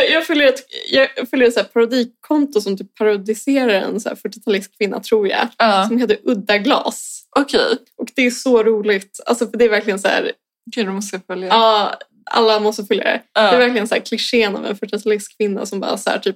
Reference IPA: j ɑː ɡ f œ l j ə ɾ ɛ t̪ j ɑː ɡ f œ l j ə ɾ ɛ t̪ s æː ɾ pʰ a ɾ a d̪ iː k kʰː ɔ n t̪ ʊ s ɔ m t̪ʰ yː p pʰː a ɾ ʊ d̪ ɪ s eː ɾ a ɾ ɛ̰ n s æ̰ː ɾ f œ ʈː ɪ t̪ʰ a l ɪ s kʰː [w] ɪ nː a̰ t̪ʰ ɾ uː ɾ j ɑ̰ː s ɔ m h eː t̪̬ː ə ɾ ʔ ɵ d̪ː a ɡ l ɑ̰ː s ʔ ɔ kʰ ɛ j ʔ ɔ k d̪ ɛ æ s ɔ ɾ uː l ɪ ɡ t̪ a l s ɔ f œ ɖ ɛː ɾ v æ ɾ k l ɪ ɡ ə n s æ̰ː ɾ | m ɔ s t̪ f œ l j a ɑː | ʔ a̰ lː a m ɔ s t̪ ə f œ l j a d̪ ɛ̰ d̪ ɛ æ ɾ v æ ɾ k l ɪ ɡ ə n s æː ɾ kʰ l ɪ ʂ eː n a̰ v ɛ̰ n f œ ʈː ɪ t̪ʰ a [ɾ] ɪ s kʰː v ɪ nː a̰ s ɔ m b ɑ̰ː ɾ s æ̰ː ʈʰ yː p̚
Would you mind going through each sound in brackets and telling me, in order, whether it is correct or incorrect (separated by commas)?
incorrect, incorrect